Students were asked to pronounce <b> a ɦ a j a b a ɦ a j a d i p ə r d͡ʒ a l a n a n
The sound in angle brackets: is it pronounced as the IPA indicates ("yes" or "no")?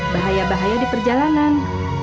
yes